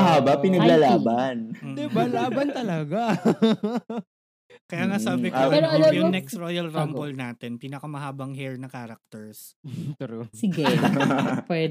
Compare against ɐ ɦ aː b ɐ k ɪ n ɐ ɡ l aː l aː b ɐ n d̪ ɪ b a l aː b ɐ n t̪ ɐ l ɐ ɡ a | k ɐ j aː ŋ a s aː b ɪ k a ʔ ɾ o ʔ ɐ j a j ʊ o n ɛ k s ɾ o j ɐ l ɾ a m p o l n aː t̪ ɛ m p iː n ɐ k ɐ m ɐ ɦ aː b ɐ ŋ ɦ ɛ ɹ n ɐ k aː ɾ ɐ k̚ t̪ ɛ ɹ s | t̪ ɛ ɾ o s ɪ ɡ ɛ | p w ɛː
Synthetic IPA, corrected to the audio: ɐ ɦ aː b ɐ p ɪ n ɐ ɡ l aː l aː b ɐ n d̪ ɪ b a l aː b ɐ n t̪ ɐ l ɐ ɡ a | k ɐ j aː ŋ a s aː b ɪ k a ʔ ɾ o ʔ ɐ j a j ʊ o n ɛ k s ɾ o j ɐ l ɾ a m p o l n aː t̪ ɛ n p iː n ɐ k ɐ m ɐ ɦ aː b ɐ ŋ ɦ ɛ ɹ n ɐ k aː ɾ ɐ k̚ t̪ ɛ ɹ s | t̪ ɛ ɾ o s ɪ ɡ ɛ | p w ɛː